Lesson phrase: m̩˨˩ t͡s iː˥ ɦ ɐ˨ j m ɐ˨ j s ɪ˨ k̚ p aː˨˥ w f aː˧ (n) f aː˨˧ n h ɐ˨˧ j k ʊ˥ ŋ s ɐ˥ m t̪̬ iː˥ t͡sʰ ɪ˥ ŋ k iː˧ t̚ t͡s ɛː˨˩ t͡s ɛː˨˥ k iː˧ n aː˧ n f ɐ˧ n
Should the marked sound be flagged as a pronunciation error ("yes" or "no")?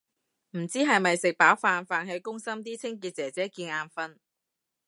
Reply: no